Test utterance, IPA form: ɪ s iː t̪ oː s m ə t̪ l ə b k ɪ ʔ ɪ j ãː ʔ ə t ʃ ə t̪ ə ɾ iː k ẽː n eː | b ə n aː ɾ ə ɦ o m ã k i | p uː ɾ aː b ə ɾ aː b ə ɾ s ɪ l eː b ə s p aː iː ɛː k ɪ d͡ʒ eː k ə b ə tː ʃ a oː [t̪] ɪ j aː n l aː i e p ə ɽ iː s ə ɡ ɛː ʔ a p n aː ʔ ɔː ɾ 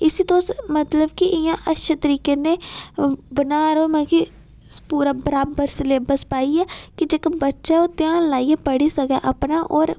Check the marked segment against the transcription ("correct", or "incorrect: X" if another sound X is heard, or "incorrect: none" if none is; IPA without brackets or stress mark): correct